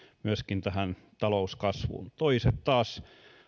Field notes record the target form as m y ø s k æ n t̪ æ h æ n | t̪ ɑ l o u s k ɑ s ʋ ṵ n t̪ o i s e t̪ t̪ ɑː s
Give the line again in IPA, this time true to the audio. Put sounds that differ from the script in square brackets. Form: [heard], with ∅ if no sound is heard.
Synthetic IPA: m y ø s k [i] n t̪ æ h æ n | t̪ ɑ l o u s k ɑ s ʋ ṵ n t̪ o i s e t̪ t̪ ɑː s

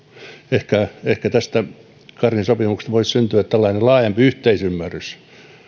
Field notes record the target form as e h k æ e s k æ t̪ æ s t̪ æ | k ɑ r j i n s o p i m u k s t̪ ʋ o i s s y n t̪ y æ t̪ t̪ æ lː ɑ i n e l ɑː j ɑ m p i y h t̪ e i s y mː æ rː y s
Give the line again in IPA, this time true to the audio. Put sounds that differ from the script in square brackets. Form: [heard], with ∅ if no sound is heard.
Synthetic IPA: e h k æ e [h] k æ t̪ æ s t̪ æ | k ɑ r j i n s o p i m u k s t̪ ʋ o i s s y n t̪ y æ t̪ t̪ æ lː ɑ i n e l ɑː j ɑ m p i y h t̪ e i s y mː æ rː y s

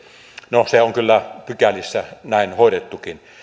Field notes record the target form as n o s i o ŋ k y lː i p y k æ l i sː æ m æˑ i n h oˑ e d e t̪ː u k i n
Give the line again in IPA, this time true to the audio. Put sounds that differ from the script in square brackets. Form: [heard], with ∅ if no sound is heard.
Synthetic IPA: n o s [e] o ŋ k y lː [æ] p y k æ l i sː æ [n] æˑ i n h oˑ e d e t̪ː u k i n

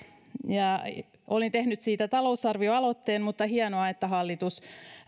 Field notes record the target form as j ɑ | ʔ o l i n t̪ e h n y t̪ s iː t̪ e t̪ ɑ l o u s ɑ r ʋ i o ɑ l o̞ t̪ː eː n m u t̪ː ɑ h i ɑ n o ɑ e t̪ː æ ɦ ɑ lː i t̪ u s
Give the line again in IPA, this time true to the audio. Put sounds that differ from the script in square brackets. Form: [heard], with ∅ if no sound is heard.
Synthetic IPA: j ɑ | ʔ o l i n t̪ e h n y t̪ s iː t̪ [æ] t̪ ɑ l o u s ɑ r ʋ i o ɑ l o̞ t̪ː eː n m u t̪ː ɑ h i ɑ n o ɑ e t̪ː æ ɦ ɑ lː i t̪ u s

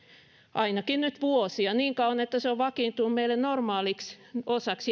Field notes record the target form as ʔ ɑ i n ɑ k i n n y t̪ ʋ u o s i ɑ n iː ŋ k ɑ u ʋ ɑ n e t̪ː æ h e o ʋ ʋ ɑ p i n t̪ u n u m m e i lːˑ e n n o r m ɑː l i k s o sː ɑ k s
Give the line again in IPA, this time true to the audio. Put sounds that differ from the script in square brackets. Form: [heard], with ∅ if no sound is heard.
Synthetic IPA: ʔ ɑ i n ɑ k i n n y t̪ ʋ u o s i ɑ n iː ŋ k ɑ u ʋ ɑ n e t̪ː æ [s] e o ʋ ʋ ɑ [k] i n t̪ u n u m m e i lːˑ e n n o r m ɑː l i k s o [s] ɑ k s

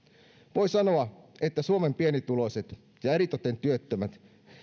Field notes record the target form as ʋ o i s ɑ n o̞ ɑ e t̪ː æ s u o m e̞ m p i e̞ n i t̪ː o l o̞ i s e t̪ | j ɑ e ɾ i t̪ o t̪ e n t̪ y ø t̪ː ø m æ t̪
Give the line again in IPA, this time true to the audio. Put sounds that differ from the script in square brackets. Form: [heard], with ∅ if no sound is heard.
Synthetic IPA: ʋ o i s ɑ n o̞ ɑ e t̪ː æ s u o m e̞ m p i e̞ n i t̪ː [u] l o̞ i s e t̪ | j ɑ e ɾ i t̪ o t̪ e n t̪ y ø t̪ː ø m æ t̪

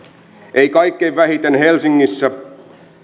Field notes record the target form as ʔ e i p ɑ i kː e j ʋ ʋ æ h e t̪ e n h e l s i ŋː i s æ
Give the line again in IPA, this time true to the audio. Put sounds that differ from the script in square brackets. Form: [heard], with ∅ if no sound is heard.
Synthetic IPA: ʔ e i [k] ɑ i kː e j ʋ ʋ æ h [i] t̪ e n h e l s i ŋː i [sː] æ

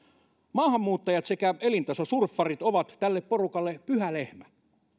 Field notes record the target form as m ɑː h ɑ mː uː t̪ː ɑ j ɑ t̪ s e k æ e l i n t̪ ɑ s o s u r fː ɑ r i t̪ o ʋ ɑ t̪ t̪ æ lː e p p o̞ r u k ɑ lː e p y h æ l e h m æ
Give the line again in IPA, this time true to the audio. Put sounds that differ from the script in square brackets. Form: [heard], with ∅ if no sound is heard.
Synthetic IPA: m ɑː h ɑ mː uː t̪ː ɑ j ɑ t̪ s e k æ e l i n t̪ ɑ s o s u r fː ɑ r i t̪ o ʋ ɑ t̪ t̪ æ lː e p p o̞ r u k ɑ lː e p y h æ l e h m æ

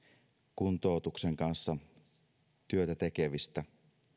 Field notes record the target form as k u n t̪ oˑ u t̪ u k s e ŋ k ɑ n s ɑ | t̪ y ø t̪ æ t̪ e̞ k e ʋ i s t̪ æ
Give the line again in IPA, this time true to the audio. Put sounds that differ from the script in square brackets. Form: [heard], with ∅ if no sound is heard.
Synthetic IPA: k u n t̪ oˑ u t̪ u k s e ŋ k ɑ n [sː] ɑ | t̪ y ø t̪ æ t̪ e̞ k e ʋ i s t̪ æ

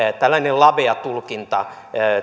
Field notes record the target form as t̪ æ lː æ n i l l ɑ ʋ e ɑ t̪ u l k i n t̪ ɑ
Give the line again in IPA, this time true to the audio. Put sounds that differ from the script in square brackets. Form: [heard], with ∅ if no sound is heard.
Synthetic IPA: t̪ æ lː æ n [e] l l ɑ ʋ e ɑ t̪ u l k i n t̪ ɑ

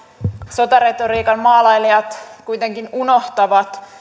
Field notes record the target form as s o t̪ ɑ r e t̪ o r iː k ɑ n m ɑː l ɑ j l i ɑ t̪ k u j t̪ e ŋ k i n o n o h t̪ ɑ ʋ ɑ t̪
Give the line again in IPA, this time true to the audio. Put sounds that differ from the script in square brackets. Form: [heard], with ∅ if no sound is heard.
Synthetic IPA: s o t̪ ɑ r e t̪ o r iː k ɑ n m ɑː l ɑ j l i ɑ t̪ k u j t̪ e ŋ k i n [u] n o h t̪ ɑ ʋ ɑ t̪

